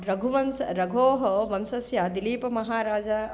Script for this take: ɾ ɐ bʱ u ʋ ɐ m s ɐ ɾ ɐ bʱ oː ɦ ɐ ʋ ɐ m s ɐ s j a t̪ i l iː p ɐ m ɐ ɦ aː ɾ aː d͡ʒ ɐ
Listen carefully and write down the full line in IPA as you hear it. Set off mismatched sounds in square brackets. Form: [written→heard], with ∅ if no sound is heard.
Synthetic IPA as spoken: ɾ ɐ [bʱ→ɡʱ] u ʋ ɐ m s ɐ ɾ ɐ [bʱ→ɡʱ] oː ɦ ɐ ʋ ɐ m s ɐ s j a [t̪→d̪] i l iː p ɐ m ɐ ɦ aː ɾ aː d͡ʒ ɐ